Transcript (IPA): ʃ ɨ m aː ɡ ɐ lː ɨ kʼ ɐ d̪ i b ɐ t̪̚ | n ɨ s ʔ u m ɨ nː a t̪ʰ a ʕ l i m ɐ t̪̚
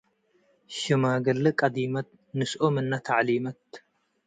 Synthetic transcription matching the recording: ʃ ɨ m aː ɡ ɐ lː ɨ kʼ ɐ d̪ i m ɐ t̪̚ | n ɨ s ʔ o m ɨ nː a t̪ʰ a ʕ l i m ɐ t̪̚